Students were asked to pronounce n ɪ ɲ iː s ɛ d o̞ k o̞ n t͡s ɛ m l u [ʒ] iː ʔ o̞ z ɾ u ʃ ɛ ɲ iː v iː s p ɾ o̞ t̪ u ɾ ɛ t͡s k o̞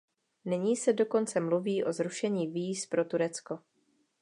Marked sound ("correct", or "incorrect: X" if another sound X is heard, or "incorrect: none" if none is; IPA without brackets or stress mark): incorrect: v